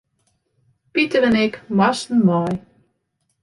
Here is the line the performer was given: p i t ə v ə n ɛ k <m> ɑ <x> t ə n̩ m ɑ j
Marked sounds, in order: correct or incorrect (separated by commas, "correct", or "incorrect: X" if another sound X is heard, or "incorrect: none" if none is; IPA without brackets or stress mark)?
correct, incorrect: s